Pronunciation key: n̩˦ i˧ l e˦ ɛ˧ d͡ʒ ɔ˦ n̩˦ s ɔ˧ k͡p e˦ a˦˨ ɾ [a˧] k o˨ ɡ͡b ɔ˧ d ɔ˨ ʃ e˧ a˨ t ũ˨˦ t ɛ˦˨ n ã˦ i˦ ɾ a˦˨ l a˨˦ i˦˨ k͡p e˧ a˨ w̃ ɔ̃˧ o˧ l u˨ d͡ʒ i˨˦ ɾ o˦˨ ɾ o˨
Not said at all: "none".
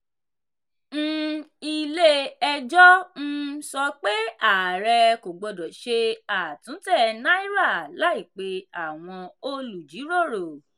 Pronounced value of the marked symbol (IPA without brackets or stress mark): ɛ˧